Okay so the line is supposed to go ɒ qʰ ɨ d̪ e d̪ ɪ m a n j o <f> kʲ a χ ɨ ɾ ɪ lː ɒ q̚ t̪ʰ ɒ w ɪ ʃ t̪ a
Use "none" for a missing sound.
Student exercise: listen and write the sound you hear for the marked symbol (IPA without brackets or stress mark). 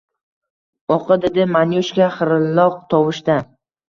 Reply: ʃ